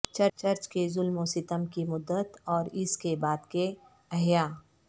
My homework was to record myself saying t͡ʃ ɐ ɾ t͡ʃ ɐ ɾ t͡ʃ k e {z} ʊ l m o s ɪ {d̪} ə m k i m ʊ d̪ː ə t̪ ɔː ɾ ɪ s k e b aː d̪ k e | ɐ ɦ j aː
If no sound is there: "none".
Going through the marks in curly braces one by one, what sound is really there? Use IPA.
z, t̪

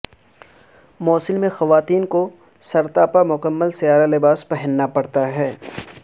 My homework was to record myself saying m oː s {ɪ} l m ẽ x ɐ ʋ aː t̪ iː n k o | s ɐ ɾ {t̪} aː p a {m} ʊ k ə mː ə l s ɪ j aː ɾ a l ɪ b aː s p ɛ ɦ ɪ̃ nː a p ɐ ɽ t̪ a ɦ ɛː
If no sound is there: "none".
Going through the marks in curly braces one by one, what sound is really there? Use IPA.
ɪ, t̪, m

